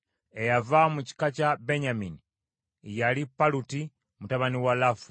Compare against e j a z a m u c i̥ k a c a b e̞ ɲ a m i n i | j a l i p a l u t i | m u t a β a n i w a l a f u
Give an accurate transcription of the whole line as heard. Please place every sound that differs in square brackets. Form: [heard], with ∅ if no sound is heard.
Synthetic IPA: e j a [v] a m u c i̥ k a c a b e̞ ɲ a m i n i | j a l i p a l u t i | m u t a β a n i w a l a f u